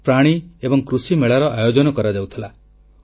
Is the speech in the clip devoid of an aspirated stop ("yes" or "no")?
no